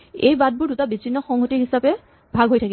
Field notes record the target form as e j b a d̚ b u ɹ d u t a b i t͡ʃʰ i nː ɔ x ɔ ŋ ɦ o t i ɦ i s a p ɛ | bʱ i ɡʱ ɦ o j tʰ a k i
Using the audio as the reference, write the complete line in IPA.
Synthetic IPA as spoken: e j b a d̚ b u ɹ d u t a b i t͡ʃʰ i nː ɔ x ɔ ŋ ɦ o t i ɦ i s a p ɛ | bʱ a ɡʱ ɦ o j tʰ a k i

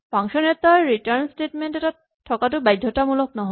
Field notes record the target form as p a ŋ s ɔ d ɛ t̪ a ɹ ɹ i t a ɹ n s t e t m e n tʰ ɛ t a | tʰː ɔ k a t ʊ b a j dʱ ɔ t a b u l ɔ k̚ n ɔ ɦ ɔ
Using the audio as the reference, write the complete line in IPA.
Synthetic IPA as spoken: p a ŋ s ɔ n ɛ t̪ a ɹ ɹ i t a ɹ n s t e t m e n t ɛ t a | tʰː ɔ k a t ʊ b a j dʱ ɔ t a m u l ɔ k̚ n ɔ ɦ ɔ

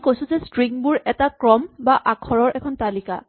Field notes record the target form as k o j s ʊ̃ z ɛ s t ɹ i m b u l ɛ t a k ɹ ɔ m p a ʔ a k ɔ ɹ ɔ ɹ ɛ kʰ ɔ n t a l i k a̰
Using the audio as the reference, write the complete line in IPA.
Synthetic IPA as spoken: k o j s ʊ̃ z ɛ s t ɹ i ŋ b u ɹ ɛ t a k ɹ ɔ m b a ʔ a kʰ ɔ ɹ ɔ ɹ ɛ kʰ ɔ n t a l i k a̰

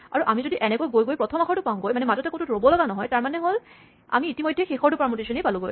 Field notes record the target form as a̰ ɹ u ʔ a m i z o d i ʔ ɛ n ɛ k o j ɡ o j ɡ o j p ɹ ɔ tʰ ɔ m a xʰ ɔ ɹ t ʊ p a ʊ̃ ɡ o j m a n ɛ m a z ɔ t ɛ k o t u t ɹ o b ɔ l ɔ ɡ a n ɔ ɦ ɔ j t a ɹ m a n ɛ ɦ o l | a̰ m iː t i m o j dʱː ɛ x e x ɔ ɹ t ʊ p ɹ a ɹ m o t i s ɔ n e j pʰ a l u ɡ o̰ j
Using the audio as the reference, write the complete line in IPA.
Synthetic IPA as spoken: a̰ ɹ u ʔ a m i z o d i ʔ ɛ n ɛ k o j ɡ o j ɡ o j p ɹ ɔ tʰ ɔ m a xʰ ɔ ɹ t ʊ p a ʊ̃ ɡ o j m a n ɛ m a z ɔ t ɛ k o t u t ɹ o b ɔ l ɔ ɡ a n ɔ ɦ ɔ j t a ɹ m a n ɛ ɦ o l | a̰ m iː t i m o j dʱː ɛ x e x ɔ ɹ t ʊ p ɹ a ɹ m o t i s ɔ n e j p a l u ɡ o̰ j

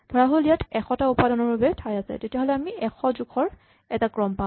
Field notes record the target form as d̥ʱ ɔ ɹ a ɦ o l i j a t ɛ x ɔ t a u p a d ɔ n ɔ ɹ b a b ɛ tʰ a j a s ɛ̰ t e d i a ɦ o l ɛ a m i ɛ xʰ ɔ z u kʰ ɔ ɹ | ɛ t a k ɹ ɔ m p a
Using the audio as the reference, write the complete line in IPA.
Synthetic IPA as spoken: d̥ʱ ɔ ɹ a ɦ o l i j a t ɛ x ɔ t a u p a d ɔ n ɔ ɹ b a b ɛ tʰ a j a s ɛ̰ t e t i a ɦ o l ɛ a m i ɛ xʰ ɔ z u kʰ ɔ ɹ | ɛ t a k ɹ ɔ m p a

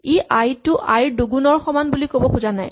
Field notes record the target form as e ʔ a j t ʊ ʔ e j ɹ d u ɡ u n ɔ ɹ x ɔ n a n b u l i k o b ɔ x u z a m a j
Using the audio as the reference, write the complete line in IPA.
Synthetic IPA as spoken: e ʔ a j t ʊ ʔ a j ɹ d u ɡ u n ɔ ɹ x ɔ m a n b u l i k o b ɔ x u z a n a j

